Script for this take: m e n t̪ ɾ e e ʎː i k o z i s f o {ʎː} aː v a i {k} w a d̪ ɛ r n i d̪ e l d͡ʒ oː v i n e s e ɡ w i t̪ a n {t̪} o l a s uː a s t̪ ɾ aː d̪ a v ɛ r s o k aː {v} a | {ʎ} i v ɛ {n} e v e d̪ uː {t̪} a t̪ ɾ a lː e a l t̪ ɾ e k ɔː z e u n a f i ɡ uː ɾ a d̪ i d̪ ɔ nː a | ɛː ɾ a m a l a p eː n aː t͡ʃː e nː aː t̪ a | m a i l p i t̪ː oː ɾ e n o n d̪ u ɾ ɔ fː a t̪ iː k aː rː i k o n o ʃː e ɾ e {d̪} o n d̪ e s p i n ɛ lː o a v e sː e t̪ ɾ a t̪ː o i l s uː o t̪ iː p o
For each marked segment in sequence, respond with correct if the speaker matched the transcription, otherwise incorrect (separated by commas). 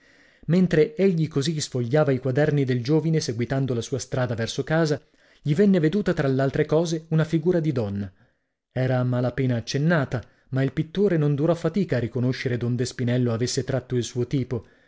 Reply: correct, correct, incorrect, incorrect, correct, incorrect, correct, correct